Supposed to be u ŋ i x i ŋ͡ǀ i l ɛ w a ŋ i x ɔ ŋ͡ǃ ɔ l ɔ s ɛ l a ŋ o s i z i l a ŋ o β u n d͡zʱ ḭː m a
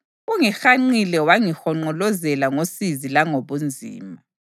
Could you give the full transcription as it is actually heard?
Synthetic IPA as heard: u ŋ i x a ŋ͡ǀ i l ɛ w a ŋ i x ɔ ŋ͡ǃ ɔ l ɔ z ɛ l a ŋ o s i z i l a ŋ o β u n d͡zʱ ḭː m a